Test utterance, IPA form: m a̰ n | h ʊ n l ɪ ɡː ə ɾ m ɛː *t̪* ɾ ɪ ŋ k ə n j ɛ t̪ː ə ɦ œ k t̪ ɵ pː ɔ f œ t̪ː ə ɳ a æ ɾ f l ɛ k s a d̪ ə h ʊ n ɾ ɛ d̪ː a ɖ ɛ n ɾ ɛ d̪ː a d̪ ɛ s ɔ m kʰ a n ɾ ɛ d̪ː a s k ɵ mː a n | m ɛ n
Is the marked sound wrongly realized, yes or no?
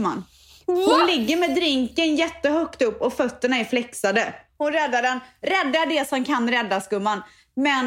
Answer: yes